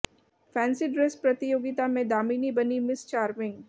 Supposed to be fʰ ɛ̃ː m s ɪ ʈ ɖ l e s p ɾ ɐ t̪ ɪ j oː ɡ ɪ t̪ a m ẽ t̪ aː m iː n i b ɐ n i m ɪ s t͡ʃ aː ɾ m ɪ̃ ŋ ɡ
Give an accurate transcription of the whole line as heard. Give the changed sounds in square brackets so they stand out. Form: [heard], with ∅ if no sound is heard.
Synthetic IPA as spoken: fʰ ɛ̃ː [n] s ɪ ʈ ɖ [ɾ] e s p ɾ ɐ t̪ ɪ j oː ɡ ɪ t̪ a m ẽ [d̪] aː m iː n i b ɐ n i m ɪ s t͡ʃ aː ɾ m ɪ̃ ŋ ɡ